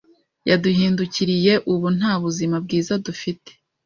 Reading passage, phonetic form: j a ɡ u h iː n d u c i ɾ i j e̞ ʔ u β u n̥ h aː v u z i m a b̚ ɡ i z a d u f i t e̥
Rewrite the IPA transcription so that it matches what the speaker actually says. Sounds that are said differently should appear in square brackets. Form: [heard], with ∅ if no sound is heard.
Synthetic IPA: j a [d] u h iː n d u c i ɾ i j e̞ ʔ u β u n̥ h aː [β] u z i m a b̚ ɡ [iː] z a d u f i t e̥